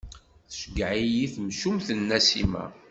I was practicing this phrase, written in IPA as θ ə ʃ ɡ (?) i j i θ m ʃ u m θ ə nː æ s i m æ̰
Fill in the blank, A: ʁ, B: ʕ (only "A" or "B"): B